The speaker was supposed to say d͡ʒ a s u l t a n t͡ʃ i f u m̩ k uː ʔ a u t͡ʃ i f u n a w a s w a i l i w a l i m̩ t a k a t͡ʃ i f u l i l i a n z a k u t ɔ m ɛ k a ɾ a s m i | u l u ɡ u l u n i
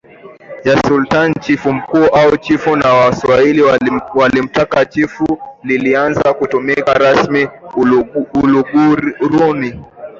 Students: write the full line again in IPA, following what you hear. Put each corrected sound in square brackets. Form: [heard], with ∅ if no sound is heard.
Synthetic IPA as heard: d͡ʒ a s u l t a n t͡ʃ i f u m̩ k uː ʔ a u t͡ʃ i f u n a w a s w a i l i w a l i m̩ t a k a t͡ʃ i f u l i l i a n z a k u t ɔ m ɛ k a ɾ a s m i | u l u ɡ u [ɾ] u n i